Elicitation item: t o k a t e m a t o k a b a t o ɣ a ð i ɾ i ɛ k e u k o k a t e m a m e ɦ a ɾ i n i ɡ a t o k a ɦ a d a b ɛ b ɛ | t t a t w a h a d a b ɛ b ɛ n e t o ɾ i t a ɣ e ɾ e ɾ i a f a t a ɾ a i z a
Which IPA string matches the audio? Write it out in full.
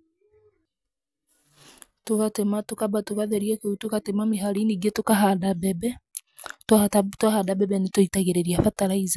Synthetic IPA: t o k a t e m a t o k a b a t o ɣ a ð ɛ ɾ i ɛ k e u t o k a t e m a m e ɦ a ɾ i n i ɡ e t o k a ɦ a d a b ɛ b ɛ | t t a t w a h a d a b ɛ b ɛ n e t o i t a ɣ e ɾ e ɾ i a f a t a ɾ a i z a